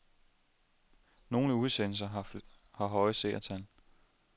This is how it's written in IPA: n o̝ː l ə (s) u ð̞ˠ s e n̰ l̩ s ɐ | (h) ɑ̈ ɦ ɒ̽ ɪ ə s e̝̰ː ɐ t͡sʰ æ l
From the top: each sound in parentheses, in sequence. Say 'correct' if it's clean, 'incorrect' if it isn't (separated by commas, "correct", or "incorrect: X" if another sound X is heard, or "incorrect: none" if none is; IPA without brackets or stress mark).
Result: incorrect: none, correct